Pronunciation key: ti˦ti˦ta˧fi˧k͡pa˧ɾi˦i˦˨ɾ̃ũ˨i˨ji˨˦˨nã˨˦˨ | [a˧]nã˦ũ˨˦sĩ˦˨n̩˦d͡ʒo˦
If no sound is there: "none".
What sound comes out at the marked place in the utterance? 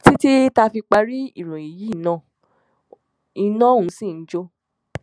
i˧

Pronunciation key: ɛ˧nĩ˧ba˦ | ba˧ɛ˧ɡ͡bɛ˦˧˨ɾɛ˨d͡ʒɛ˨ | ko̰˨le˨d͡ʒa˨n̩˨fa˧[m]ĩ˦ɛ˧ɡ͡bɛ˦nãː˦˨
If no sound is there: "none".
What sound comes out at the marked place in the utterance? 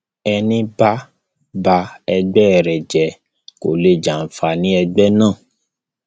n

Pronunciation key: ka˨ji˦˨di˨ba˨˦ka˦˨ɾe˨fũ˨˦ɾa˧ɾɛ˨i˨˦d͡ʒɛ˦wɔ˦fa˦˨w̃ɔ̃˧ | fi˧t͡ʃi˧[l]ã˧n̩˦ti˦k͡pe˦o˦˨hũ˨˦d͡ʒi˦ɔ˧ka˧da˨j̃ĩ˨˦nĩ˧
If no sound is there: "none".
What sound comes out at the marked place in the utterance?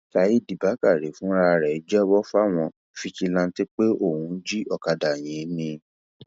l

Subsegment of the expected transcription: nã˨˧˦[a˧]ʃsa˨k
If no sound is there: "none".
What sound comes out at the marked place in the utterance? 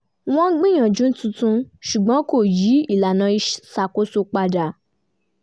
i˧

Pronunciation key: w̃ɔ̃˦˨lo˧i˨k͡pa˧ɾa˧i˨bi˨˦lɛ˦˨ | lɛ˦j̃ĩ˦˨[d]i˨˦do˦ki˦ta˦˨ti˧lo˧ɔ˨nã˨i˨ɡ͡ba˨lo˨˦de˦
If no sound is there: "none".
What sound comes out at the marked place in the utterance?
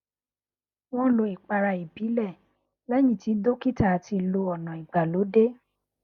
t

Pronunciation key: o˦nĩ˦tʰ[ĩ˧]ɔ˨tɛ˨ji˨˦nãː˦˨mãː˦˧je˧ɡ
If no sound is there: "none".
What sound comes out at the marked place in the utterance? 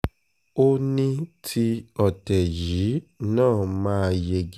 i˧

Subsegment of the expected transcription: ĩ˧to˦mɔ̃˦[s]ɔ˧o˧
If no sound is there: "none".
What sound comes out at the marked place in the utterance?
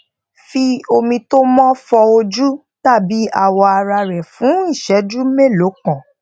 f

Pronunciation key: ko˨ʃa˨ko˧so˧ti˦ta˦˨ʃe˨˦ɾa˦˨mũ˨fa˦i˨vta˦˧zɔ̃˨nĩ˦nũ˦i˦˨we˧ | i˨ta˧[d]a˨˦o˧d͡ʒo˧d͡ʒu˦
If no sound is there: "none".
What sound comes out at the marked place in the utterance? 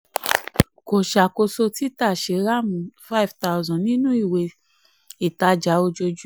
d͡ʒ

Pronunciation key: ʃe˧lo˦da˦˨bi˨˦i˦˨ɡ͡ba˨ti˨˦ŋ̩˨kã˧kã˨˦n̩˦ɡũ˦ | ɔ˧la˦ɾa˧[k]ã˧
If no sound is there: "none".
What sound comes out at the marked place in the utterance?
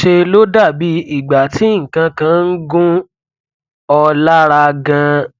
ɡ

